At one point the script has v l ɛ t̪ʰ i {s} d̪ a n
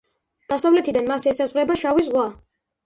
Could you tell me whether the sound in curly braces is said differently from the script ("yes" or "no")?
yes